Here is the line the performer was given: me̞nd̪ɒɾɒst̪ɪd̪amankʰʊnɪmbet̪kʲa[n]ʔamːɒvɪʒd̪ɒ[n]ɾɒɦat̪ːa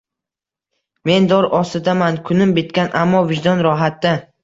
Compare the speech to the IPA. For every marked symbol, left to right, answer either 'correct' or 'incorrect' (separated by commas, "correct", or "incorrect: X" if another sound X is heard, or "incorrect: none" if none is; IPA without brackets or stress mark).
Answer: correct, correct